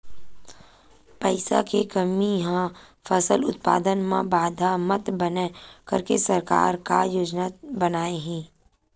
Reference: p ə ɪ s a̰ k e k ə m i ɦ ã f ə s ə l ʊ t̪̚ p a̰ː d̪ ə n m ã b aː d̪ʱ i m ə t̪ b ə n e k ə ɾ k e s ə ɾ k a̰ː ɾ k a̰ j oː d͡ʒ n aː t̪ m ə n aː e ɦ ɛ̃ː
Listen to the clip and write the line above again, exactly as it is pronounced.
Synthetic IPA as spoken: p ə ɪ s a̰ k e k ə m i ɦ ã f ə s ə l ʊ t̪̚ p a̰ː d̪ ə n m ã b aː d̪ʱ a m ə t̪ b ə n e k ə ɾ k e s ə ɾ k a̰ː ɾ k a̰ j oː d͡ʒ n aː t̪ b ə n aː e ɦ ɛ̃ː